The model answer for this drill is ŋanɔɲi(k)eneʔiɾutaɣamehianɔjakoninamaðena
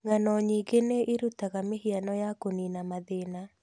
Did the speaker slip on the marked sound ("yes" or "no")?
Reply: yes